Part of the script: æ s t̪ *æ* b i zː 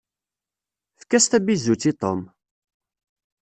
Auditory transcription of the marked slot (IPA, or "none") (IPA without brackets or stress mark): æ